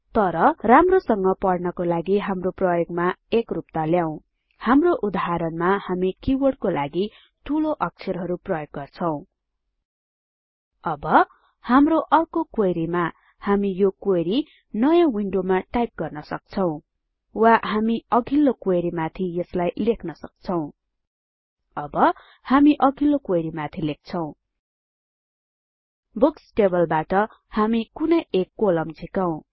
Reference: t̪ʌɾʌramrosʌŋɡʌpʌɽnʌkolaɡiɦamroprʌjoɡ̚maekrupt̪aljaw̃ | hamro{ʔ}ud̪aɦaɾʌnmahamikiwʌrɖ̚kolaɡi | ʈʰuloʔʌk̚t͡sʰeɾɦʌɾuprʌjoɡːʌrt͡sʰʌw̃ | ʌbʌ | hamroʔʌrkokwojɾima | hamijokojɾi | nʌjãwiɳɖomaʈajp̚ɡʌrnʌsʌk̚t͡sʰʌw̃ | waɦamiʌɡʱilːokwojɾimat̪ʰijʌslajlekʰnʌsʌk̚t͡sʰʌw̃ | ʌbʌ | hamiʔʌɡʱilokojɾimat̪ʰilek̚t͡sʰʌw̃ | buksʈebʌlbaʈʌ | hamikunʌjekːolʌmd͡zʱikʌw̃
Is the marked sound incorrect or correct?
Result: correct